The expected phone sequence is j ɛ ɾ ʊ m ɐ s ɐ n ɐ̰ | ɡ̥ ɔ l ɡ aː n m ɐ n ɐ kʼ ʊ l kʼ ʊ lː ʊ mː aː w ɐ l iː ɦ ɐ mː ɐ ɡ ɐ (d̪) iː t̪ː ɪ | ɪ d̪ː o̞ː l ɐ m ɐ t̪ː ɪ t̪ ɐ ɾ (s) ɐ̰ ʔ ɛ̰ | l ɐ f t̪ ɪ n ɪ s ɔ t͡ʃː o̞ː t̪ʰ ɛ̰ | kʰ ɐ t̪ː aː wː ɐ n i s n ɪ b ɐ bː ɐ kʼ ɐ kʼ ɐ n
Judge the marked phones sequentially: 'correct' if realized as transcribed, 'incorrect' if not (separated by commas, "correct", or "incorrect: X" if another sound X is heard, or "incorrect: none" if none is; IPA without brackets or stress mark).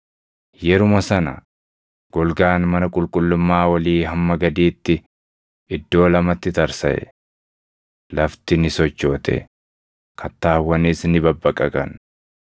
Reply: correct, correct